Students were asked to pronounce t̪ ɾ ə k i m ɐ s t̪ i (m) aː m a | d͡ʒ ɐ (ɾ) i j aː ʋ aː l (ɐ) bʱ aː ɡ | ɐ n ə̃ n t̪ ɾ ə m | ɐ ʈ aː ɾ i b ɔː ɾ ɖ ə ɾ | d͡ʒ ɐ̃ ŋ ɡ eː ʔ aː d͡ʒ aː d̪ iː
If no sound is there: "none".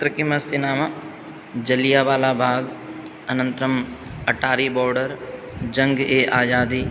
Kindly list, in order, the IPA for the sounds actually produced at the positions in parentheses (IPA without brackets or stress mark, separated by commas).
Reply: n, l, a